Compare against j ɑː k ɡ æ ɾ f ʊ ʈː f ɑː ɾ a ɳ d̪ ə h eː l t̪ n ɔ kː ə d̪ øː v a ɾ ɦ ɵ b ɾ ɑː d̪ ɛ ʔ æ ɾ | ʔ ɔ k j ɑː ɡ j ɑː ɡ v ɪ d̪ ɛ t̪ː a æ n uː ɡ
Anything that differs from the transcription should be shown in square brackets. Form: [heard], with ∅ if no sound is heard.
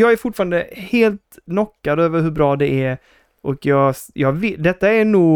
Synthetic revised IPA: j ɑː [∅] ɡ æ ɾ f ʊ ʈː f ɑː ɾ a [n] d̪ ə h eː l t̪ n ɔ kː [a] d̪ øː v [ə] ɾ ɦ ɵ b ɾ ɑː d̪ ɛ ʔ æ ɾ | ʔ ɔ k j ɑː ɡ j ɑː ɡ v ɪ d̪ ɛ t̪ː a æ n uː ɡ